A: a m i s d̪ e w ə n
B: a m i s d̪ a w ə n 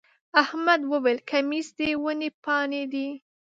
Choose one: A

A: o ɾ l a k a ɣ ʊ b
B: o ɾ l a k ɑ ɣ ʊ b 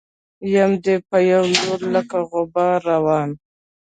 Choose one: A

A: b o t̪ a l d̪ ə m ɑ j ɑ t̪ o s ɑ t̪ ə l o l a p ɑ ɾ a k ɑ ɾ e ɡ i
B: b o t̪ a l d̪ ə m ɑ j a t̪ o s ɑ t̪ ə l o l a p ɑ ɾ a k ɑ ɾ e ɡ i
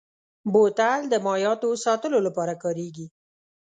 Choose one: A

